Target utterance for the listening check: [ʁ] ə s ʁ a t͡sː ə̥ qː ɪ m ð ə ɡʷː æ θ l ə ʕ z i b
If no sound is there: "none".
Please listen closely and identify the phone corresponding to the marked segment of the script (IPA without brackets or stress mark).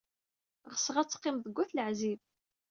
ʁ